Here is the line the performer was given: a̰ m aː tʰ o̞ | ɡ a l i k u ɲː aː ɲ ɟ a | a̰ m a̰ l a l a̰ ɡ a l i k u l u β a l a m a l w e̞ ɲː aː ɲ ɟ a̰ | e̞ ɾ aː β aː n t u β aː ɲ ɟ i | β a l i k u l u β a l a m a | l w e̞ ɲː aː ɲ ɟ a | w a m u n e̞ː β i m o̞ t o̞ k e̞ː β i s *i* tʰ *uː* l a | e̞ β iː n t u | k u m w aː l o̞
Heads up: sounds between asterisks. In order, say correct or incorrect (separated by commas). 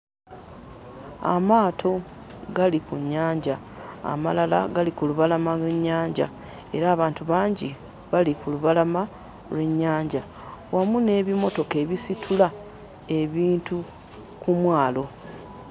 correct, incorrect